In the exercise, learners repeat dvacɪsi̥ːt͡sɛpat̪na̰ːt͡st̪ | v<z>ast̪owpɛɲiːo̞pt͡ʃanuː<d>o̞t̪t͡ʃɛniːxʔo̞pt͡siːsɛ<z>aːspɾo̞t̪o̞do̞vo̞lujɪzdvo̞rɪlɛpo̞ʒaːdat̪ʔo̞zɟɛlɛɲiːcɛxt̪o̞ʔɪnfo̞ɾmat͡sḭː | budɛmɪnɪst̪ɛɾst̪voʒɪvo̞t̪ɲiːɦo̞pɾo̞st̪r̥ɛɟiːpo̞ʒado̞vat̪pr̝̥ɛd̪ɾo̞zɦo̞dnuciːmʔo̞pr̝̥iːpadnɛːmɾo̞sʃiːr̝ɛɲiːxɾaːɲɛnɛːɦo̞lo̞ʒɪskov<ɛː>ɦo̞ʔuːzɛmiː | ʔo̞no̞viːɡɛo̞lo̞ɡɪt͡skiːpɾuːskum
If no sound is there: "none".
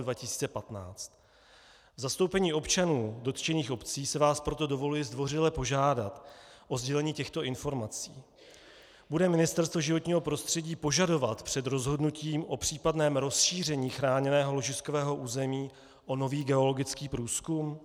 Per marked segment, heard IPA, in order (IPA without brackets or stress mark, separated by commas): z, d, v, ɛː